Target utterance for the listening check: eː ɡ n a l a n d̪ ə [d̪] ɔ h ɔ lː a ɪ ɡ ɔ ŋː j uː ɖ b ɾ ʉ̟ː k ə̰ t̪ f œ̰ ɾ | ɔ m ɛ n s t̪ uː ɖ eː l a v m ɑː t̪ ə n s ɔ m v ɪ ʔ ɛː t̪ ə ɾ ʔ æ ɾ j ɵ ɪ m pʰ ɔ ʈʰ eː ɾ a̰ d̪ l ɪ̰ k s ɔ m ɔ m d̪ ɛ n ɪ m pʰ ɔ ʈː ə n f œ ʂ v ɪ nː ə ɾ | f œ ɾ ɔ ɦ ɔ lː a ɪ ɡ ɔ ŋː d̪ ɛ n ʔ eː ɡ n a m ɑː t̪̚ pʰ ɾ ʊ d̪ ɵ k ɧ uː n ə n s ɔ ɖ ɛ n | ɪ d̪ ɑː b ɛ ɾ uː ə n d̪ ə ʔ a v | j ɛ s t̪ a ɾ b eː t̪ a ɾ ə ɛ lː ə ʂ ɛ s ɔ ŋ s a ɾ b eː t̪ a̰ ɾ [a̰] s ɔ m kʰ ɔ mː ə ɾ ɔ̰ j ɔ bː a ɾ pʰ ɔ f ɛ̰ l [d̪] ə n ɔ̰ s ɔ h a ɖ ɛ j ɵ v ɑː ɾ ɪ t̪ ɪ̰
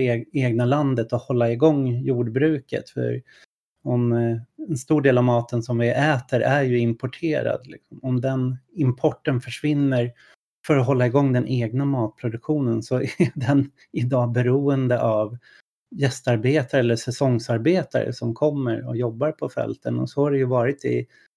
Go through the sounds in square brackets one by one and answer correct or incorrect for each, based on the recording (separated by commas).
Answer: incorrect, incorrect, incorrect